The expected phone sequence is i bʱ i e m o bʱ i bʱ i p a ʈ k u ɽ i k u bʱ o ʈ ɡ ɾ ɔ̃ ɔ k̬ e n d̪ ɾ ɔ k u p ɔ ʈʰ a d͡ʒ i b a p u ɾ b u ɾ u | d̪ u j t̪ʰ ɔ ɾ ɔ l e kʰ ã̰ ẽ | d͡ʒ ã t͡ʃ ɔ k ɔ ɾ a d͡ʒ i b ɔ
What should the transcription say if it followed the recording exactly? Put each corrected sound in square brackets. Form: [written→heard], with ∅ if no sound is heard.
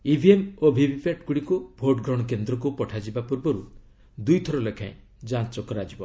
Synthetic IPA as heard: i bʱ i e m o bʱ i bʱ i p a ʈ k u ɽ i k u bʱ o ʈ ɡ ɾ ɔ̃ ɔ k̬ e n d̪ ɾ ɔ k u p ɔ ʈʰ a d͡ʒ i b a p u ɾ b [u→ɔ] ɾ u | d̪ u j t̪ʰ ɔ ɾ ɔ l e kʰ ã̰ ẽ | d͡ʒ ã t͡ʃ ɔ k ɔ ɾ a d͡ʒ i b ɔ